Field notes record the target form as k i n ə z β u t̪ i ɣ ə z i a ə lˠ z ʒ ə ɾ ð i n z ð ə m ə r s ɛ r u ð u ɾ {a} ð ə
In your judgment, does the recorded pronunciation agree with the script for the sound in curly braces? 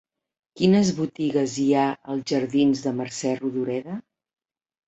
no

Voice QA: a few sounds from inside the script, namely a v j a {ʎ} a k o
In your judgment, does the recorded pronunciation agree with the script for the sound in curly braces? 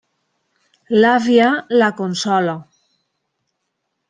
no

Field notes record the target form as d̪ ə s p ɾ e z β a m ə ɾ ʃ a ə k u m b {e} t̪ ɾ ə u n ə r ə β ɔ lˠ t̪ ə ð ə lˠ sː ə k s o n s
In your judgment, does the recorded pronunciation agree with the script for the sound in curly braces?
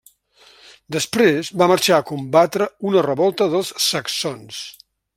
no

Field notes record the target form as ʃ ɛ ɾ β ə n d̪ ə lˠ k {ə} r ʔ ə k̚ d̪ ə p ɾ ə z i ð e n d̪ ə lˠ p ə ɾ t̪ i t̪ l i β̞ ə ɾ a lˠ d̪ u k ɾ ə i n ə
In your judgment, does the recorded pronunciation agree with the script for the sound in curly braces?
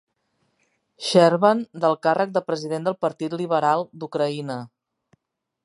no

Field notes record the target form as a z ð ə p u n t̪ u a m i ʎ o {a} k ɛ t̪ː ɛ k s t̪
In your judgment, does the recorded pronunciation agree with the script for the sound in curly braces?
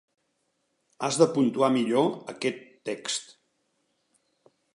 no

